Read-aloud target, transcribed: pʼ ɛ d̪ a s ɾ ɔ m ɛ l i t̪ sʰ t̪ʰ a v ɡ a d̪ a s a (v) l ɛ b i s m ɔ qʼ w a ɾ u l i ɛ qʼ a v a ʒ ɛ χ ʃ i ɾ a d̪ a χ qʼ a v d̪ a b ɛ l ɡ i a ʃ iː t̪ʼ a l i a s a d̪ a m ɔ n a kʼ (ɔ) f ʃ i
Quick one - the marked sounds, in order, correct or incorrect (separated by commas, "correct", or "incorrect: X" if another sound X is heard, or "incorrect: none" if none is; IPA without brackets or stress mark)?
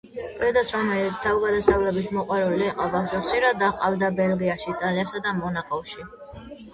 correct, correct